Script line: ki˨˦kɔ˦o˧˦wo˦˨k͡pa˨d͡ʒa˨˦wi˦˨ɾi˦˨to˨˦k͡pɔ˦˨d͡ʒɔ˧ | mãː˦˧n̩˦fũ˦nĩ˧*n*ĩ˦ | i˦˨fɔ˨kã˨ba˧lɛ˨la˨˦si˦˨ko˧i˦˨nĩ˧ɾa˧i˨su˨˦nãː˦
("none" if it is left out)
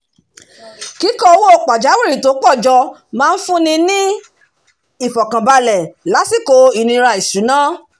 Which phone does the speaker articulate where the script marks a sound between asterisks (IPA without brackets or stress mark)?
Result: n